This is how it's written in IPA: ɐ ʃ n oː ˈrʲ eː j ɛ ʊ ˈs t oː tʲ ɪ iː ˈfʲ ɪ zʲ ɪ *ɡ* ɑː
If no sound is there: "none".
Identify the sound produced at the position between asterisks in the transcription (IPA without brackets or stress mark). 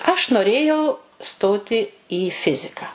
k